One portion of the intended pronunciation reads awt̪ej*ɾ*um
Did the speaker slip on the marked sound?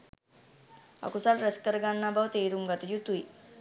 no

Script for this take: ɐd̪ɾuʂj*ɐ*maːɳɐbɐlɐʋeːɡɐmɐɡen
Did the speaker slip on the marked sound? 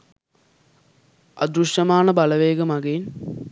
no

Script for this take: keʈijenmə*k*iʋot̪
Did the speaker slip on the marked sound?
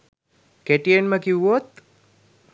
no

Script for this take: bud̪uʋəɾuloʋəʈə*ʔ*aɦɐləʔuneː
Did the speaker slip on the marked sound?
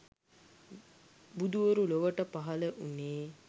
yes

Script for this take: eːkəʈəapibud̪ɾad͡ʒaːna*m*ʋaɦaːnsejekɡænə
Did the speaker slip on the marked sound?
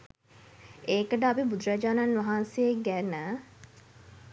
yes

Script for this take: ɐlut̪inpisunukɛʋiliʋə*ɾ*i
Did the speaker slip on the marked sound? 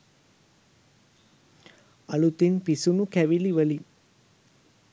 yes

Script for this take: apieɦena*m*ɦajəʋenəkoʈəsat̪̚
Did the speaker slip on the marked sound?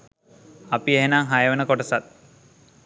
yes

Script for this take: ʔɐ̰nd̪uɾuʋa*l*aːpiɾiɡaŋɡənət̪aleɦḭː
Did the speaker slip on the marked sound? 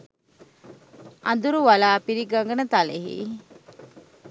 no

